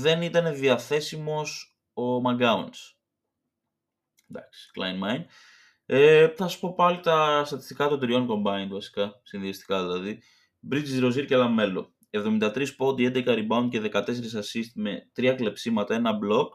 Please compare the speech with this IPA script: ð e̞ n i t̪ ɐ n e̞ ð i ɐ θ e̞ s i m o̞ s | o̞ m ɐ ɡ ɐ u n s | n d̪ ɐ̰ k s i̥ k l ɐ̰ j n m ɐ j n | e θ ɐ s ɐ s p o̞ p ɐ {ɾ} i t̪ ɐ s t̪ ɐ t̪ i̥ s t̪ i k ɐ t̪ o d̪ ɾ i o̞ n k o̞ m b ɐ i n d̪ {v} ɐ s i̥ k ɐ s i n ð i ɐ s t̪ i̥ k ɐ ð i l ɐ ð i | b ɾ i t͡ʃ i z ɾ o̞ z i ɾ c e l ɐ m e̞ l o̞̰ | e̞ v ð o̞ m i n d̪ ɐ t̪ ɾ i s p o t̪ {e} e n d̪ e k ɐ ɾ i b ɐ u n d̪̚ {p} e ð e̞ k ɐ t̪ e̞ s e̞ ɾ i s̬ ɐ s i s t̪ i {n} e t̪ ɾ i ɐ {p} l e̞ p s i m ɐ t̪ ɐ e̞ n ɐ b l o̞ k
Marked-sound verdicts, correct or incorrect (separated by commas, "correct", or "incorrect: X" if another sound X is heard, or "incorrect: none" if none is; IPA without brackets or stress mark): incorrect: l, correct, incorrect: i, incorrect: c, incorrect: m, incorrect: k